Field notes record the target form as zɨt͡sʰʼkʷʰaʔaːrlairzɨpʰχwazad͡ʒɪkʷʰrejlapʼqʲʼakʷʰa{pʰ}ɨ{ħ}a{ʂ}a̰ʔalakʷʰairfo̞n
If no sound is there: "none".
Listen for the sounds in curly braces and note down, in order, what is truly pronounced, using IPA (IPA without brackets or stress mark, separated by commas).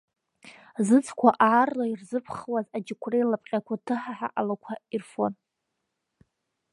tʰ, ħ, ħ